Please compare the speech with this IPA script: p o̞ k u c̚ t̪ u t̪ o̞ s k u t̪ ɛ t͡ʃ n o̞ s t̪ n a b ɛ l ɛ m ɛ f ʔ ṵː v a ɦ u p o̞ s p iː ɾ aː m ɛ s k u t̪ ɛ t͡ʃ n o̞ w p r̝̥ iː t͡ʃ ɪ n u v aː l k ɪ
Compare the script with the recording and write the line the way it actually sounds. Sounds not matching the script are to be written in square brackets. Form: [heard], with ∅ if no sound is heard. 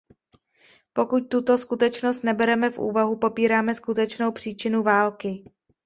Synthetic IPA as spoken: p o̞ k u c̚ t̪ u t̪ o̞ s k u t̪ ɛ t͡ʃ n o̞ s t̪ n [ɛ] b ɛ [ɾ] ɛ m ɛ f ʔ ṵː v a ɦ u p o̞ [∅] p iː ɾ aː m ɛ s k u t̪ ɛ t͡ʃ n o̞ w p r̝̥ iː t͡ʃ ɪ n u v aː l k ɪ

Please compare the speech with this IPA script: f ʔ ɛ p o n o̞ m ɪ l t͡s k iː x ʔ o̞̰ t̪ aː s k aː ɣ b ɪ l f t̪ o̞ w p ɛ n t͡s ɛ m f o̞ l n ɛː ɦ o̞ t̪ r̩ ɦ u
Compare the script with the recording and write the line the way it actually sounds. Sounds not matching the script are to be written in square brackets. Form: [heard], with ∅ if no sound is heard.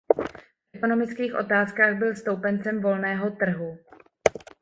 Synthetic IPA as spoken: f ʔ ɛ [k] o n o̞ m ɪ [∅] t͡s k iː x ʔ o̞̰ t̪ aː s k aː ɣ b ɪ l [s] t̪ o̞ w p ɛ n t͡s ɛ m [v] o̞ l n ɛː ɦ o̞ t̪ r̩ ɦ u

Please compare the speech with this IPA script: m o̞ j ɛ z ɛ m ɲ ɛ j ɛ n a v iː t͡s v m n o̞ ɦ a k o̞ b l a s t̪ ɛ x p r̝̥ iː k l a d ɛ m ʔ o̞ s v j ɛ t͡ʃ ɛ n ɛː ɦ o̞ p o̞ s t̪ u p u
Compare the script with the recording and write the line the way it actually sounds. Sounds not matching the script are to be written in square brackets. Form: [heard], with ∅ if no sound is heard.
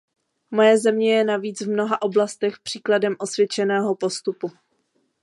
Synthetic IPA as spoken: m o̞ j ɛ z ɛ m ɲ ɛ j ɛ n a v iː t͡s v m n o̞ ɦ a [ʔ] o̞ b l a s t̪ ɛ x p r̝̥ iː k l a d ɛ m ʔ o̞ s v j ɛ t͡ʃ ɛ n ɛː ɦ o̞ p o̞ s t̪ u p u

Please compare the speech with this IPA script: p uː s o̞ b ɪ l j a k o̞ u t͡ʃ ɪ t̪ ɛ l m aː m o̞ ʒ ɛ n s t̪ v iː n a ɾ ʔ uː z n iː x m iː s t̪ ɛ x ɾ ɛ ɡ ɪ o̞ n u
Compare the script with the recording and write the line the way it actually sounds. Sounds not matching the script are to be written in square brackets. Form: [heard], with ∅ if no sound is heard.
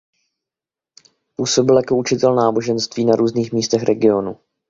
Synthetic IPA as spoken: p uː s o̞ b ɪ l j a k o̞ u t͡ʃ ɪ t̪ ɛ l [n] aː [b] o̞ ʒ ɛ n s t̪ v iː n a ɾ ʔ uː z n iː x m iː s t̪ ɛ x ɾ ɛ ɡ ɪ o̞ n u

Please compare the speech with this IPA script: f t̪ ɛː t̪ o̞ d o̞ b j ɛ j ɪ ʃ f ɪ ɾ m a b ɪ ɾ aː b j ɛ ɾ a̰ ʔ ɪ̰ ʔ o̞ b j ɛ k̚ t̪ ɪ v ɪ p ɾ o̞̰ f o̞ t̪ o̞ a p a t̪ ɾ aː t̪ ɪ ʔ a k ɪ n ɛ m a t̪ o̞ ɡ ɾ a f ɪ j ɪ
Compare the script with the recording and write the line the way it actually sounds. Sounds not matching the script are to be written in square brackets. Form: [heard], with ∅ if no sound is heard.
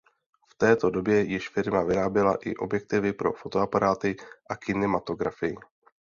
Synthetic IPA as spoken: f t̪ ɛː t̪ o̞ d o̞ b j ɛ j ɪ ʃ f ɪ ɾ m a [v] ɪ ɾ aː b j ɛ [l] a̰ ʔ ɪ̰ ʔ o̞ b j ɛ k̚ t̪ ɪ v ɪ p ɾ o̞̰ f o̞ t̪ o̞ a p a [∅] ɾ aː t̪ ɪ ʔ a k ɪ n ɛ m a t̪ o̞ ɡ ɾ a f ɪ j ɪ

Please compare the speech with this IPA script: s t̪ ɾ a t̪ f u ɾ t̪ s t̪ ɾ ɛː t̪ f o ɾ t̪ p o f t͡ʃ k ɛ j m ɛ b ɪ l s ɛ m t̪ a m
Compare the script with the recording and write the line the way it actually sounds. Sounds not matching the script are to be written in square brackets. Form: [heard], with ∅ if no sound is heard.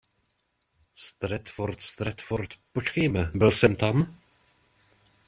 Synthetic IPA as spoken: s t̪ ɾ [ɛ] t̪ f [o] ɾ t̪ s t̪ ɾ [ɛ] t̪ f o ɾ t̪ p o [∅] t͡ʃ k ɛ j m ɛ b ɪ l s ɛ m t̪ a m

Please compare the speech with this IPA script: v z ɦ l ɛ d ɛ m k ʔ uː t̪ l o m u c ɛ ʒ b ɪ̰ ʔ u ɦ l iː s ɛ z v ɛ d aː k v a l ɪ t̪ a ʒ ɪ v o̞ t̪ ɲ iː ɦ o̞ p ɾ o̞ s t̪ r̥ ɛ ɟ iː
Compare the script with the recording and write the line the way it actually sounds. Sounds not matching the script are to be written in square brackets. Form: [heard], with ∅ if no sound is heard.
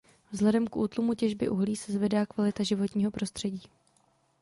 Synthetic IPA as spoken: v z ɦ l ɛ d ɛ m k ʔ uː t̪ l [u] m u c ɛ ʒ b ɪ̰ ʔ u ɦ l iː s ɛ z v ɛ d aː k v a l ɪ t̪ a ʒ ɪ v o̞ t̪ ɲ iː ɦ o̞ p ɾ o̞ s t̪ r̥ ɛ ɟ iː

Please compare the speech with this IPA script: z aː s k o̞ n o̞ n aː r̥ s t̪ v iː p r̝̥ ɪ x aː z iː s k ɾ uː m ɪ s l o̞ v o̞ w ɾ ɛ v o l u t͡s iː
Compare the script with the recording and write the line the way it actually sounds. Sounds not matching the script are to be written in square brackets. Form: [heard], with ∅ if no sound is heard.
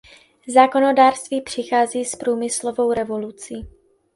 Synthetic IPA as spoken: z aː [∅] k o̞ n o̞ [d] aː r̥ s t̪ v iː p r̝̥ ɪ x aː z iː s [p] ɾ uː m ɪ s l o̞ v o̞ w ɾ ɛ v o l u t͡s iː

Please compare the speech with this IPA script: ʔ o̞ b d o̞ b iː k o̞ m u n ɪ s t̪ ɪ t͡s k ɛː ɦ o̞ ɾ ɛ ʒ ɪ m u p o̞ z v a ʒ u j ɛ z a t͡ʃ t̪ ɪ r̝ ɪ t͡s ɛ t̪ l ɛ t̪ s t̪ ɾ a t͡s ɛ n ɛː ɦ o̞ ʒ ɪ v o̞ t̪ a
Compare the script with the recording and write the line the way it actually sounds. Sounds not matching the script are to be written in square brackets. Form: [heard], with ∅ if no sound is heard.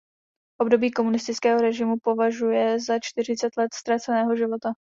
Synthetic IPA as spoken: ʔ o̞ b d o̞ b iː k o̞ m u n ɪ s t̪ ɪ t͡s k ɛː ɦ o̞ ɾ ɛ ʒ ɪ m u p o̞ [∅] v a ʒ u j ɛ z a t͡ʃ t̪ ɪ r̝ ɪ t͡s ɛ t̪ l ɛ t̪ s t̪ ɾ a t͡s ɛ n ɛː ɦ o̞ ʒ ɪ v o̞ t̪ a

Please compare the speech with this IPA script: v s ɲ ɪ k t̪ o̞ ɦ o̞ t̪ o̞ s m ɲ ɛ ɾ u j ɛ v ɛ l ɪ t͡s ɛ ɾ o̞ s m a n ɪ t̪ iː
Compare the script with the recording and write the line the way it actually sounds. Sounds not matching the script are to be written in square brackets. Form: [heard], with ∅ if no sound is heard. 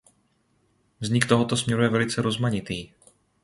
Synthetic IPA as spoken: v [z] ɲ ɪ k t̪ o̞ ɦ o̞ t̪ o̞ s m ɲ ɛ ɾ u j ɛ v ɛ l ɪ t͡s ɛ ɾ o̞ [z] m a [ɲ] ɪ t̪ iː

